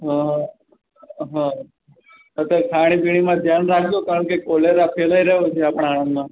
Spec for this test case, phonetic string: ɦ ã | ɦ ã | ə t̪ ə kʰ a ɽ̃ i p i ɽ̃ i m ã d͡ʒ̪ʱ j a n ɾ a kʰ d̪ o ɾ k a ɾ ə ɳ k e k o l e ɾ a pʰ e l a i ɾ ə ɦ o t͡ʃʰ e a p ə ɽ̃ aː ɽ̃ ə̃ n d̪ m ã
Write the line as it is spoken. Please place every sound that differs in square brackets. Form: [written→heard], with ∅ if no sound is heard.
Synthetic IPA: ɦ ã | ɦ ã | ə t̪ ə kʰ a ɽ̃ i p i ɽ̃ i m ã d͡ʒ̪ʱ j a n ɾ a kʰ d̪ o [ɾ→∅] k a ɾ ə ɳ k e k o l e ɾ a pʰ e l a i ɾ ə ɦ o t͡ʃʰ e a p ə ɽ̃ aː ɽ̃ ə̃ n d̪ m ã